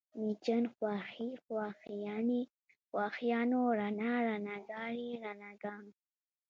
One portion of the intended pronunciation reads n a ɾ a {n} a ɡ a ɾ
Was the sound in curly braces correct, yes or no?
yes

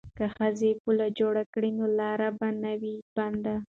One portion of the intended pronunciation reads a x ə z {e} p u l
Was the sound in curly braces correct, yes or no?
yes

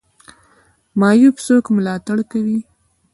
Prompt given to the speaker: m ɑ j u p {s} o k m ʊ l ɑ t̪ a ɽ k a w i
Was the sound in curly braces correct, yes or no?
yes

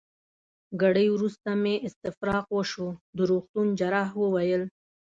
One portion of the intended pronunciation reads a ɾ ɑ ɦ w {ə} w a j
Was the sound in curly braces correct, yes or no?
yes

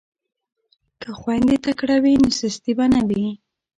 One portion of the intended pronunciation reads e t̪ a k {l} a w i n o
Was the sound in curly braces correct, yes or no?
no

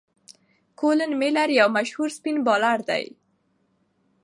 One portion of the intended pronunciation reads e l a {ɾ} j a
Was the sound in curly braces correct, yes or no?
yes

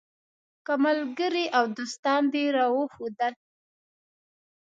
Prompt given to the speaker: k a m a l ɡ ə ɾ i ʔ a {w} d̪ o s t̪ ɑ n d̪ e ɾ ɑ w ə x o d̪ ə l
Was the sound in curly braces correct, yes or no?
yes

